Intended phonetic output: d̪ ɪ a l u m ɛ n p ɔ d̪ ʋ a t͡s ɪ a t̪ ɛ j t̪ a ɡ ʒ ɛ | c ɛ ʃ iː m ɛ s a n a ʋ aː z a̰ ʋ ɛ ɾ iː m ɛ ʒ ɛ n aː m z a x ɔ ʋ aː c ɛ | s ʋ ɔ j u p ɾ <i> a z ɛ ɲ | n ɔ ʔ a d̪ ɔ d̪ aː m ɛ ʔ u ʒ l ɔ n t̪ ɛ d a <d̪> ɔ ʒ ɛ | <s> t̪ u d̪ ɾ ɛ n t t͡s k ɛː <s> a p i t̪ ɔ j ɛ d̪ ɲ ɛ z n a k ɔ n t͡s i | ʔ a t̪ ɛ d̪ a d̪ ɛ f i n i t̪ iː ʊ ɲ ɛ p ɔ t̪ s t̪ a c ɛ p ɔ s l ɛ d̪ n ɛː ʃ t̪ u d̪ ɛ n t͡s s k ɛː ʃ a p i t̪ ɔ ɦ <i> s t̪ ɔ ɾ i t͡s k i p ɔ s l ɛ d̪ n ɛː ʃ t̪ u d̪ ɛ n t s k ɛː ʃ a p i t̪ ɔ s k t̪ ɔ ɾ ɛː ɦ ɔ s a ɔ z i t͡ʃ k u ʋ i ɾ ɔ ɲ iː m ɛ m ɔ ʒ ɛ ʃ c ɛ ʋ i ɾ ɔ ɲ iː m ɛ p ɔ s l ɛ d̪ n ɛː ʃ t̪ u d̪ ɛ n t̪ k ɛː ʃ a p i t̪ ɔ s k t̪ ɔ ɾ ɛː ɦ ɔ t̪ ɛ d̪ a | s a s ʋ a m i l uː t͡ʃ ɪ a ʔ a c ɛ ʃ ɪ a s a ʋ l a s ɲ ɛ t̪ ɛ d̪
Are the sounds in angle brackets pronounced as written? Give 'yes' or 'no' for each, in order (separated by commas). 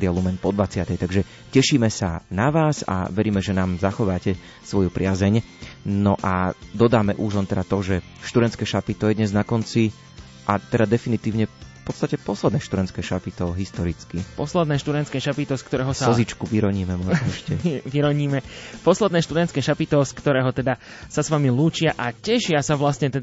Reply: no, no, no, no, yes